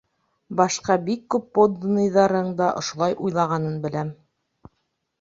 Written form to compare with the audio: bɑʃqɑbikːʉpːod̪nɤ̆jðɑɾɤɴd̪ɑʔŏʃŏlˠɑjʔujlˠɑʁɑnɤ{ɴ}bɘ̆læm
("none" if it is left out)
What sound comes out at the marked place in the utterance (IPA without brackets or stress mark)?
n